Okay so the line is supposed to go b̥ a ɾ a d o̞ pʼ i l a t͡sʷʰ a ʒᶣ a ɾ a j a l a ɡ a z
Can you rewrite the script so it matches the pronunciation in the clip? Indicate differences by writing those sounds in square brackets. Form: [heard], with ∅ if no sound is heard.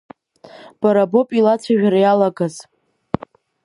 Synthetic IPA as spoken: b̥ a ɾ a [b] o̞ pʼ i l a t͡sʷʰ a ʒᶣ a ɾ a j a l a ɡ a z